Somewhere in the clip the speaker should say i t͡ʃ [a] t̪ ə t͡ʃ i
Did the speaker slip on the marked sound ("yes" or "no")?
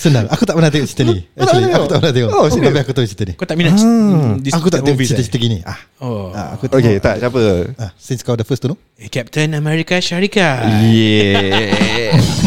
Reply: yes